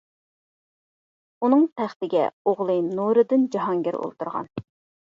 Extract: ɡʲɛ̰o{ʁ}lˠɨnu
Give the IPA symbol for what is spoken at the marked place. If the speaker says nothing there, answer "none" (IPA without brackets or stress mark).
ʁ